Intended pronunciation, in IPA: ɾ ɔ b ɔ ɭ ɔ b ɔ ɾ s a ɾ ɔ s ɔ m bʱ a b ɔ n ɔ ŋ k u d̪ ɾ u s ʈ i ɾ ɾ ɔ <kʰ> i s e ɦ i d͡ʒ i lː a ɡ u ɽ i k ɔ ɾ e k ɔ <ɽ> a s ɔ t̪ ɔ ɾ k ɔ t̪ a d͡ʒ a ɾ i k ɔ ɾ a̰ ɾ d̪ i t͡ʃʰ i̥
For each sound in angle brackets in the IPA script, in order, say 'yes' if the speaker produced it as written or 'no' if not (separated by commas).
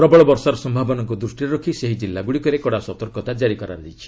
yes, yes